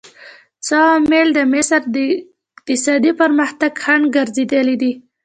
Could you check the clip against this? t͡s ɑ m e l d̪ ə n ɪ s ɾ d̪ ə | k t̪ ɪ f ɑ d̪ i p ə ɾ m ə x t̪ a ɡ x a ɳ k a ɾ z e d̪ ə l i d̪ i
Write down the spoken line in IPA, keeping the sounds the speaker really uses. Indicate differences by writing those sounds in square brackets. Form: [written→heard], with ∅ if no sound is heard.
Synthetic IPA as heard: t͡s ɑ m e l d̪ ə [n→m] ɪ s ɾ d̪ ə | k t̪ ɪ [f→s] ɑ d̪ i p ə ɾ m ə x t̪ a ɡ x a ɳ [k→ɡ] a ɾ z e d̪ ə l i d̪ i